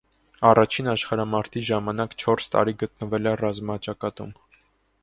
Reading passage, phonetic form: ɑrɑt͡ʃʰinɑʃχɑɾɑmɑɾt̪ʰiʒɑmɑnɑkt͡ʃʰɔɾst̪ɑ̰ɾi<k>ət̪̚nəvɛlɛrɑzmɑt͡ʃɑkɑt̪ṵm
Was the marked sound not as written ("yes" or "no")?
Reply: yes